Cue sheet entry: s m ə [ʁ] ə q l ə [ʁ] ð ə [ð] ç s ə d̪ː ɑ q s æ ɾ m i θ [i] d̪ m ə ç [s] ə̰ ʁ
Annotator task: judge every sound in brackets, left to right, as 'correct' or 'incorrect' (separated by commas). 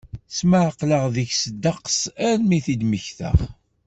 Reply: incorrect, correct, incorrect, correct, incorrect